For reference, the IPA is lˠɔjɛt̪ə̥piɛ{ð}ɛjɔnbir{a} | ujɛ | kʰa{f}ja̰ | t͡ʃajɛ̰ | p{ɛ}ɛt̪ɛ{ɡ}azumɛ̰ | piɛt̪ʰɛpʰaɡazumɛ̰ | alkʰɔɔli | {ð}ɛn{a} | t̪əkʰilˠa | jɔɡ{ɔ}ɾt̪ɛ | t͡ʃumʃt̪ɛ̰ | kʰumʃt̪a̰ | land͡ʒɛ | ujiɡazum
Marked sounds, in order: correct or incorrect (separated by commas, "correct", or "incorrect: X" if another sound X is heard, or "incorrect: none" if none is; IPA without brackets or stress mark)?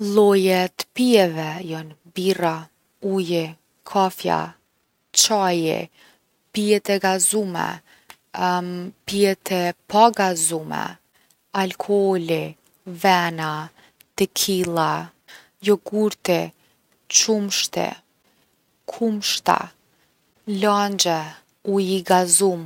incorrect: v, correct, correct, incorrect: i, correct, incorrect: v, correct, incorrect: u